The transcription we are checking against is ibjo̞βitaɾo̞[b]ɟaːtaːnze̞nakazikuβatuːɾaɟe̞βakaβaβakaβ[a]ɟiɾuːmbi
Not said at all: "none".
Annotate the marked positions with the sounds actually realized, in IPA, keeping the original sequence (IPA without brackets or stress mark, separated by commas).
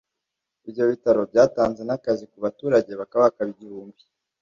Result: b, i